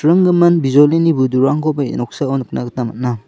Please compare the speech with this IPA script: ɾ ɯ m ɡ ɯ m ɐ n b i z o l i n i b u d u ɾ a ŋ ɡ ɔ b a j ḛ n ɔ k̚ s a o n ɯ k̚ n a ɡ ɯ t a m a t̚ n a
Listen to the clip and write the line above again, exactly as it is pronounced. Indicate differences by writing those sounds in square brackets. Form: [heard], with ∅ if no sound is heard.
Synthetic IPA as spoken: ɾ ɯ [ŋ] ɡ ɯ m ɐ n b i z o l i n i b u d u ɾ a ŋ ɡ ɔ b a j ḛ n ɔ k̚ s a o n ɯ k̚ n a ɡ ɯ t a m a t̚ n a